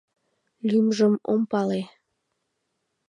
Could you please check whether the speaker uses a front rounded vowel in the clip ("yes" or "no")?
yes